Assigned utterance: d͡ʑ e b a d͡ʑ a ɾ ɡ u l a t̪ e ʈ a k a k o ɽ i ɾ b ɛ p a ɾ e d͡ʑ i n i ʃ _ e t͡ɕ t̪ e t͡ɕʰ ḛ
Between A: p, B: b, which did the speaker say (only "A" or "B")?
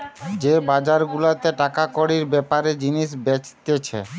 B